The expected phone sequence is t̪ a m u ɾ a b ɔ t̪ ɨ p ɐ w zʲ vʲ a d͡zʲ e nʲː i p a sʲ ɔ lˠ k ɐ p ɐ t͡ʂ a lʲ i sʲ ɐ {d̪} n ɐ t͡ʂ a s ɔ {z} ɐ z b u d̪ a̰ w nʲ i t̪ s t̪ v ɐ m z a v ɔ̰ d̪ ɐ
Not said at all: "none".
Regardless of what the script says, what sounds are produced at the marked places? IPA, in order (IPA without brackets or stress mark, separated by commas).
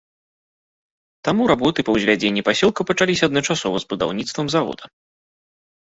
d̪, v